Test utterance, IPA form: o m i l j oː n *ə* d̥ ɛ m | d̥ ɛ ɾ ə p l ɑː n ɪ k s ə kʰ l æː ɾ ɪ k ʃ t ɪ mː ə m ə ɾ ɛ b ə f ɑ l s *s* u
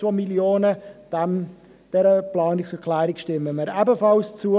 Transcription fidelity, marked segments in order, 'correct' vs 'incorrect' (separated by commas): correct, incorrect